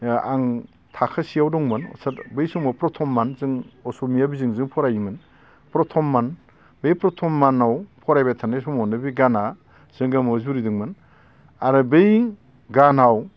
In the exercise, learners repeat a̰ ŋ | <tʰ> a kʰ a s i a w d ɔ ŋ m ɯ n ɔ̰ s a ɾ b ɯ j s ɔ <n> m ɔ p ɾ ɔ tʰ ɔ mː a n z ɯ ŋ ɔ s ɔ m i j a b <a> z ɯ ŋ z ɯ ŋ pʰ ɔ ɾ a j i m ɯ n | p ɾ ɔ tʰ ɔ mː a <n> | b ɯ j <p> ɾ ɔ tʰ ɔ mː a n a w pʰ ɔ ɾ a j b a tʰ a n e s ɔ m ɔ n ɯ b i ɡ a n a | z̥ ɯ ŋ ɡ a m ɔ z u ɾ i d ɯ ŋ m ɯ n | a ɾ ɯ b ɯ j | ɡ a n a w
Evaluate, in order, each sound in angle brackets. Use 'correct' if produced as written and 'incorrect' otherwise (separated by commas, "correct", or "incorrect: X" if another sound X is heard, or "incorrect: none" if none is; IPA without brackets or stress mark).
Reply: correct, incorrect: ŋ, incorrect: i, correct, correct